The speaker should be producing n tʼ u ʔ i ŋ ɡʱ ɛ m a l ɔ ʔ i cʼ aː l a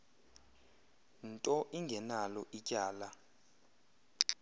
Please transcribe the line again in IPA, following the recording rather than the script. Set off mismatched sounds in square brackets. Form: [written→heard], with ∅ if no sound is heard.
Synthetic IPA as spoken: n tʼ [u→ɔ] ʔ i ŋ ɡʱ ɛ [m→n] a l ɔ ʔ i cʼ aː l a